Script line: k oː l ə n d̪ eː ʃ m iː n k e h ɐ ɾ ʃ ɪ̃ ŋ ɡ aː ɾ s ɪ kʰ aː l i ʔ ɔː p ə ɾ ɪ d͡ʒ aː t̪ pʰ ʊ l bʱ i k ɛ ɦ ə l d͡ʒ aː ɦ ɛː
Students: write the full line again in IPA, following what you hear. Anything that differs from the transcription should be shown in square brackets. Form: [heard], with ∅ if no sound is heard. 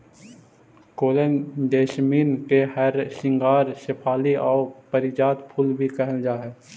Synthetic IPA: k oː l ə n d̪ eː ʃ m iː n k e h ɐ ɾ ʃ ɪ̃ ŋ ɡ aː ɾ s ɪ [pʰ] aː l i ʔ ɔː p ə ɾ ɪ d͡ʒ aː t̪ pʰ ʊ l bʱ i k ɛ ɦ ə l d͡ʒ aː ɦ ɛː